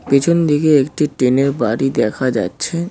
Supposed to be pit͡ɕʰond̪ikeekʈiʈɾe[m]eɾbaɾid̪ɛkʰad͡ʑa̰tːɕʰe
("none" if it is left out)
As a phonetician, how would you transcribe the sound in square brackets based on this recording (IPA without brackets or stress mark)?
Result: n